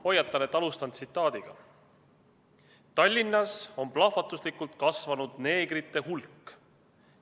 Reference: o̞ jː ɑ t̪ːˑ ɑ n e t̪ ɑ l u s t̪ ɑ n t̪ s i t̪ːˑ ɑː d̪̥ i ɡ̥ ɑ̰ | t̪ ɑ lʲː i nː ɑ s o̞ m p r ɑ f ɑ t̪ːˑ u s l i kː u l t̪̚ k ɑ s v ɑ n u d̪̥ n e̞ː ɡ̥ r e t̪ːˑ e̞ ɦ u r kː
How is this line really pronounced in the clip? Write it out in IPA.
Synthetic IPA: o̞ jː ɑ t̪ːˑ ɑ n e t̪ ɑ l u s t̪ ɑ n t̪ s i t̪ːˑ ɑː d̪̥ i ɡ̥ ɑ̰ | t̪ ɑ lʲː i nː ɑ s o̞ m p l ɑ f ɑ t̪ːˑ u s l i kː u l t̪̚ k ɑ s v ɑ n u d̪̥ n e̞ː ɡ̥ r i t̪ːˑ e̞ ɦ u l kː